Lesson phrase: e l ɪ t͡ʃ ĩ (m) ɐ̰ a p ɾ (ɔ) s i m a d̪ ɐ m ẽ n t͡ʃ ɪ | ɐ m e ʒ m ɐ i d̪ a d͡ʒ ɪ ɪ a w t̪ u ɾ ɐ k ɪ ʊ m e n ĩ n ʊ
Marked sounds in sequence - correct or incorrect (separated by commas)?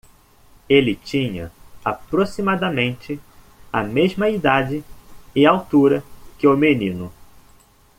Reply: incorrect, incorrect